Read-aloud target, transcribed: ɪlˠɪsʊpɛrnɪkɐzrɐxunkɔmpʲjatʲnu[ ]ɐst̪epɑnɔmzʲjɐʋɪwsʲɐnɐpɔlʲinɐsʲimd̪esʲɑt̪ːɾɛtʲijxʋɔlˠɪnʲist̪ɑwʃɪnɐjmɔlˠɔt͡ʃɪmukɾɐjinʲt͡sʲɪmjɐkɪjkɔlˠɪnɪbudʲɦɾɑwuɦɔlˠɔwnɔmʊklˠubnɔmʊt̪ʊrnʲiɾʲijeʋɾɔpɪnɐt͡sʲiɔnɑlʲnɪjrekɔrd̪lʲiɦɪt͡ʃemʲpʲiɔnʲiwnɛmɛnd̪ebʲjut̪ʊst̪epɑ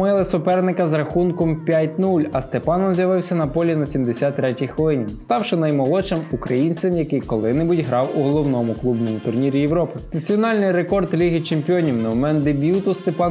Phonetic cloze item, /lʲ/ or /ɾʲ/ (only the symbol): lʲ